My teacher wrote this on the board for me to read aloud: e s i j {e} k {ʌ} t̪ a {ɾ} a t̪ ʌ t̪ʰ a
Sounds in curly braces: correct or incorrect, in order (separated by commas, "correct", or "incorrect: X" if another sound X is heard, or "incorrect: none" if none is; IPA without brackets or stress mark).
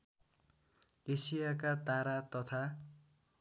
incorrect: a, incorrect: a, correct